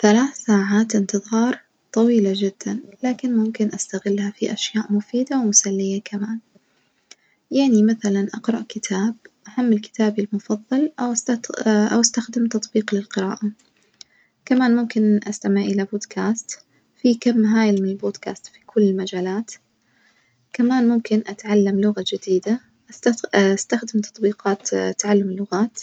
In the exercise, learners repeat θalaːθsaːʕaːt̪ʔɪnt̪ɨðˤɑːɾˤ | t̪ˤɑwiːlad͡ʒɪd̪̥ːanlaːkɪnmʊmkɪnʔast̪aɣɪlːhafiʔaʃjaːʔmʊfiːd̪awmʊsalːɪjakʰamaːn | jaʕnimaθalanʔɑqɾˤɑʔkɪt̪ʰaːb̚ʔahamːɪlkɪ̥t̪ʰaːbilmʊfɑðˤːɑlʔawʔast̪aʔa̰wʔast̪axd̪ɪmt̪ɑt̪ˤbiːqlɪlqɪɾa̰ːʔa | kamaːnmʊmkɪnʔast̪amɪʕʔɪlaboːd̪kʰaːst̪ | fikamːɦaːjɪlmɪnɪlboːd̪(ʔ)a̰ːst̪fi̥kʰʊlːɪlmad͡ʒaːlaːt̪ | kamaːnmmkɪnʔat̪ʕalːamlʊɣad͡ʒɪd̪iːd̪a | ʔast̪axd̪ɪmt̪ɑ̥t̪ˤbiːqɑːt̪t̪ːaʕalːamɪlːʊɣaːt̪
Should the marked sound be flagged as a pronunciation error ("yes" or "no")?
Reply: yes